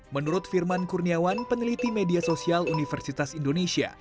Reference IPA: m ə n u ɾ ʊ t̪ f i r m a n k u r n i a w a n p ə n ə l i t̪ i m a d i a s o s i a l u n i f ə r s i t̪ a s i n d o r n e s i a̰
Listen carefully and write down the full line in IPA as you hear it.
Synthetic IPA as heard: m ə n u ɾ ʊ t̪ f i r m a n k u r n i a w a n p ə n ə l i t̪ i m e d i a s o s i a l u n i f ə r s i t̪ a s i n d o n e s i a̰